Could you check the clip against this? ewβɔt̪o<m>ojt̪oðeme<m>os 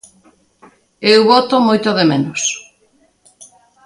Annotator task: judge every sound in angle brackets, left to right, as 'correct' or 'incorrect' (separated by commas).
correct, incorrect